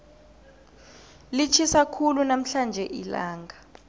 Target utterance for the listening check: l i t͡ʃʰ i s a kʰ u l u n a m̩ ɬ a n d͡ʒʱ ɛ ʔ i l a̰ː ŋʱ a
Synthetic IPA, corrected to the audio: l i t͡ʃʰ i s a kʰ u l u n a m̩ ɬ a n d͡ʒʱ ɛ ʔ i l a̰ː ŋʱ a